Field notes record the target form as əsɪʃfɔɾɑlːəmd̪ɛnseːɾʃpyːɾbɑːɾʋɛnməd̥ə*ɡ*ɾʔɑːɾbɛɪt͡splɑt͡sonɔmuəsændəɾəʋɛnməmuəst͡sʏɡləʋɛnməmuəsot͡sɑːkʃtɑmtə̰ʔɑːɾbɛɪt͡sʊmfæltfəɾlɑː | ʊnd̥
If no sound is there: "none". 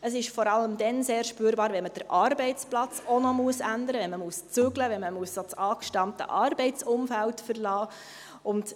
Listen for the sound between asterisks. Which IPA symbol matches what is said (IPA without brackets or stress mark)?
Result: none